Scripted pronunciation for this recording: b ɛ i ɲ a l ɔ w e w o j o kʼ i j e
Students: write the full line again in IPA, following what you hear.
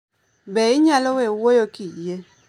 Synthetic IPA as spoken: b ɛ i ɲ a l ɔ w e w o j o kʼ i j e